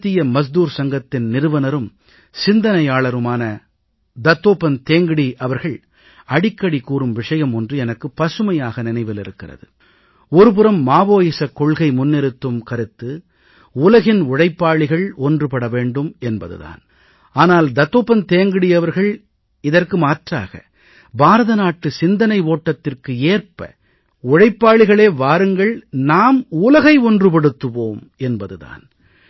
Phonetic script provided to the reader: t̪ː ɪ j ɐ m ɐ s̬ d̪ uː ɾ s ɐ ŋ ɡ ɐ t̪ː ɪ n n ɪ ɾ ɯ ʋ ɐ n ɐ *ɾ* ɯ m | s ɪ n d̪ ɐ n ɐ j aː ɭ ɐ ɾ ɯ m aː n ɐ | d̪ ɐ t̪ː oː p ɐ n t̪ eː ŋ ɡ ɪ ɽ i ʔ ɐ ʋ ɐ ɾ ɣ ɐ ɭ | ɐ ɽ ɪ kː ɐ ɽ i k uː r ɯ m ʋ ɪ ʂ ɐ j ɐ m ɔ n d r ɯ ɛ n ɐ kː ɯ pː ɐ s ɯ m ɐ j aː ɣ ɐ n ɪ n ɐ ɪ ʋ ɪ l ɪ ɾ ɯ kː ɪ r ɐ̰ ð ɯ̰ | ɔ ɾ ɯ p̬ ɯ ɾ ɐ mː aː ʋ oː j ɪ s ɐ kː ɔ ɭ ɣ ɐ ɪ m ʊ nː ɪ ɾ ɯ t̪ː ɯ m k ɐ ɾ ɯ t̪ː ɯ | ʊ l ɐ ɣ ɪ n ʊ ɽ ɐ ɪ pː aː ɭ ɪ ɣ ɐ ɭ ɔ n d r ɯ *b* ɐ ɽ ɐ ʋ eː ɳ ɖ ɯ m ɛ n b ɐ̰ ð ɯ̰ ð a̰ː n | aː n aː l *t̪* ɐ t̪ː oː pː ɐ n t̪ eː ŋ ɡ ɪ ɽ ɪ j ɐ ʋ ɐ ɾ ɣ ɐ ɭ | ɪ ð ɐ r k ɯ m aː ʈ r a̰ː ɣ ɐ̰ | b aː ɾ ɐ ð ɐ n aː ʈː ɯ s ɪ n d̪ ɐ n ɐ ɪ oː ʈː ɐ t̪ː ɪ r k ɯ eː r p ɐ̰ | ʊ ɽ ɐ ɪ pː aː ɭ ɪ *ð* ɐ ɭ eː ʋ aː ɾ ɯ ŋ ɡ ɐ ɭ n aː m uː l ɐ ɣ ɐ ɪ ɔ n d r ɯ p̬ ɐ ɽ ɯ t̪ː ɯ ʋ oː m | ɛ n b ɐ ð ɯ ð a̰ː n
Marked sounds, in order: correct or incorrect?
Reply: correct, incorrect, incorrect, incorrect

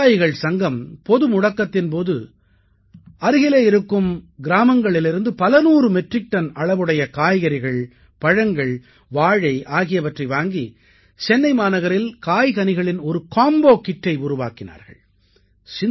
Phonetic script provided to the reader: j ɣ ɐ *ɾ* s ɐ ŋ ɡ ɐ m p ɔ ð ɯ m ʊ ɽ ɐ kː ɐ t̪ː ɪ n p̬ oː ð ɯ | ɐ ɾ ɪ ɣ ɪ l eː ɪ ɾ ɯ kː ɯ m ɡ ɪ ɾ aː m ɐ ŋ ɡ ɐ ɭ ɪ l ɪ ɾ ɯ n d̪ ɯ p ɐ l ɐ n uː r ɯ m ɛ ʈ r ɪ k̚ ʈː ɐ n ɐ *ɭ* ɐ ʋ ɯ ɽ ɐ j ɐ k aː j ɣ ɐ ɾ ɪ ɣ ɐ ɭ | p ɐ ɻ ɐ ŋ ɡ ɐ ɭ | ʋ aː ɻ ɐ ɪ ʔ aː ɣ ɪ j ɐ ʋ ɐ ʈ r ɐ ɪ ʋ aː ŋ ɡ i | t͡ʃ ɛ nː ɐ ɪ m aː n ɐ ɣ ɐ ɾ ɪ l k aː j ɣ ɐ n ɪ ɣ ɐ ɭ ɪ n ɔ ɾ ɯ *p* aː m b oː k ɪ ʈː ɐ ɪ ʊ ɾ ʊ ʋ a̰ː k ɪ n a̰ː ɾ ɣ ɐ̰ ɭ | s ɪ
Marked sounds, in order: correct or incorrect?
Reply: incorrect, correct, incorrect

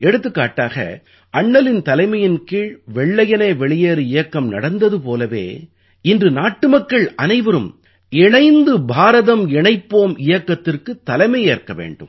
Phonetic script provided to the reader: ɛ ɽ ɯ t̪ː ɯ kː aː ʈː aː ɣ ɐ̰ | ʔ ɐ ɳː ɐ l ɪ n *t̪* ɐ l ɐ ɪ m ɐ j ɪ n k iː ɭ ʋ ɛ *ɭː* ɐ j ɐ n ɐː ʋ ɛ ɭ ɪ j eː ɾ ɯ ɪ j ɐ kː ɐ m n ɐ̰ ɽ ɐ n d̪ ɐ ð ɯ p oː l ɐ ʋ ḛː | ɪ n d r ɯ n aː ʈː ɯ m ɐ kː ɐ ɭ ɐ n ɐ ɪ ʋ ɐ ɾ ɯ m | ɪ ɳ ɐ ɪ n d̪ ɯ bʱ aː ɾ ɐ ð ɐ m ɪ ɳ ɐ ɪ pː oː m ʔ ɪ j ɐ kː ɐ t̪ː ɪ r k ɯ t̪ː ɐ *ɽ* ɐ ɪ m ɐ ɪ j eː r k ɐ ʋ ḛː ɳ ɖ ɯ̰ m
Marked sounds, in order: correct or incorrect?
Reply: correct, correct, incorrect

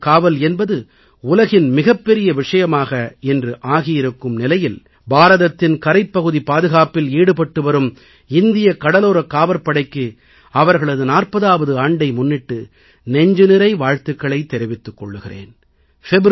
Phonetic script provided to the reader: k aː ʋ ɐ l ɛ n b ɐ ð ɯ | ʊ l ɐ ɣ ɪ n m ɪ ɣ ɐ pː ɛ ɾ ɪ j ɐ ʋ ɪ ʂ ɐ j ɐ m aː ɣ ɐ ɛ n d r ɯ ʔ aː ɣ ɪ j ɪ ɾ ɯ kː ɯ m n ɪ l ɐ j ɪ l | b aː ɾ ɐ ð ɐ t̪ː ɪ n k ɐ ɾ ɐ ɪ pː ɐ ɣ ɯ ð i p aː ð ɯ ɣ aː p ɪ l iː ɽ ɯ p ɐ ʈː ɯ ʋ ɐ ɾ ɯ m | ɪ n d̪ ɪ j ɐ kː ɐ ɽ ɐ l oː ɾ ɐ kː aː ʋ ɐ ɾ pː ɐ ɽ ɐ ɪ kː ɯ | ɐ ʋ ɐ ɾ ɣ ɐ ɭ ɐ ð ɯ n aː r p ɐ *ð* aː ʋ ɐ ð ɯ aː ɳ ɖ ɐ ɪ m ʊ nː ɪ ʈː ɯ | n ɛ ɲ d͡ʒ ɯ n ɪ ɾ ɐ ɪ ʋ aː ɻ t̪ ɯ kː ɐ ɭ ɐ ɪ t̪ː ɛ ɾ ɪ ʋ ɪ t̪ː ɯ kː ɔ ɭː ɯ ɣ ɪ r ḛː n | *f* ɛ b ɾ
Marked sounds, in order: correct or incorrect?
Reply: correct, correct

